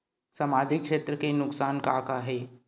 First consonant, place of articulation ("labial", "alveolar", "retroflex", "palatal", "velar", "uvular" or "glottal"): alveolar